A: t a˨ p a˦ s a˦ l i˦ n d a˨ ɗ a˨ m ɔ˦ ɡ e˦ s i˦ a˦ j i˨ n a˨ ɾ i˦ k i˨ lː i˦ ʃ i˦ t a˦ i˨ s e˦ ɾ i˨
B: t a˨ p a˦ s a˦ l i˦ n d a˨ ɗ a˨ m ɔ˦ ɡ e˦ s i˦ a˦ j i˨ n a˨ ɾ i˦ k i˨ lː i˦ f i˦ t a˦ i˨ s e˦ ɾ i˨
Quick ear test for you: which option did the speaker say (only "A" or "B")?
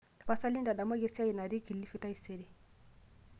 B